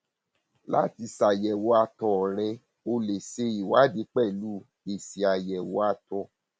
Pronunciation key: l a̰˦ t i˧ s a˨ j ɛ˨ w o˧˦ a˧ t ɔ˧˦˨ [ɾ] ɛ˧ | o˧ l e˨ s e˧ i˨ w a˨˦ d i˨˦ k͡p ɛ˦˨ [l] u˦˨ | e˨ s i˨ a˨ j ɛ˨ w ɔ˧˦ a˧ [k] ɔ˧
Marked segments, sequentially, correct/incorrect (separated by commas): correct, correct, incorrect